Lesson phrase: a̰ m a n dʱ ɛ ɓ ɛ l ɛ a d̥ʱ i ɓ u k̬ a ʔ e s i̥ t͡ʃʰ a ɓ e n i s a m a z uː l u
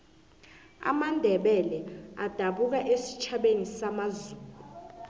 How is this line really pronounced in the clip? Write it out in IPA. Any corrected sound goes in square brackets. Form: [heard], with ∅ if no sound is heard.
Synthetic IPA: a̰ m a n dʱ ɛ ɓ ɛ l ɛ a d̥ʱ [a] ɓ u k̬ a ʔ e s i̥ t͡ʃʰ a ɓ e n i s a m a z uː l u